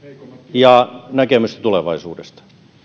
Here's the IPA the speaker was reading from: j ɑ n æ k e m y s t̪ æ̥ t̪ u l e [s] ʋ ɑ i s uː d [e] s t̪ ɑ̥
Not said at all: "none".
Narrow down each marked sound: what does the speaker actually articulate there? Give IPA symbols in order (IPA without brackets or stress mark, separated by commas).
none, e